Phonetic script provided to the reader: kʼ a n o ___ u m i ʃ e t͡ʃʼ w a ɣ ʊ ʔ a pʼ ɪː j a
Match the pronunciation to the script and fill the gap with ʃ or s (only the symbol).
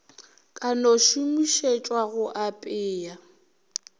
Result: ʃ